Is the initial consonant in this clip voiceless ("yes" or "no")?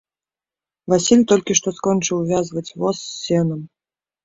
no